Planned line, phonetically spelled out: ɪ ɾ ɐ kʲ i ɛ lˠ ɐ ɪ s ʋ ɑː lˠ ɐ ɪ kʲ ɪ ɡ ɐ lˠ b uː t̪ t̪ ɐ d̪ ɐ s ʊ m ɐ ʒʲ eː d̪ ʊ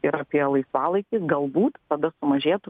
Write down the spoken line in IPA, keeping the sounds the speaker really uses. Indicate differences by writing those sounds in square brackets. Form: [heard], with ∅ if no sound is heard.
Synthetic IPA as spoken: ɪ ɾ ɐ [pʲ] i ɛ lˠ ɐ ɪ s ʋ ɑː lˠ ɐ ɪ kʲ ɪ ɡ ɐ lˠ b uː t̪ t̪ ɐ d̪ ɐ s ʊ m ɐ ʒʲ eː [t̪] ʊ